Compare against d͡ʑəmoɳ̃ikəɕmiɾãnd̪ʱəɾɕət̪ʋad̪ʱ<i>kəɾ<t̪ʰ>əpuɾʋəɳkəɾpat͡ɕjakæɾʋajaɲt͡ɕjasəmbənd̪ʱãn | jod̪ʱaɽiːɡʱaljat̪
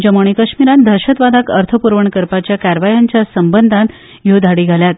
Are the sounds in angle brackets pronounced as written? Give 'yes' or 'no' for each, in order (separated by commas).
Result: no, yes